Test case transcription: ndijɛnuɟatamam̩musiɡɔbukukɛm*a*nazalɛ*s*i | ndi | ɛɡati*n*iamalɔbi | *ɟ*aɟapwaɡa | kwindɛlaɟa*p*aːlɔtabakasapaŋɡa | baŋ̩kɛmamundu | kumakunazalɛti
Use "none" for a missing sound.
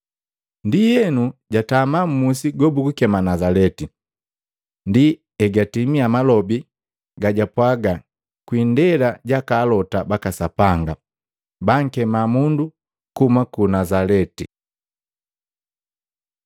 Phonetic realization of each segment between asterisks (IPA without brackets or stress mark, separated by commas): a, t, m, ɡ, k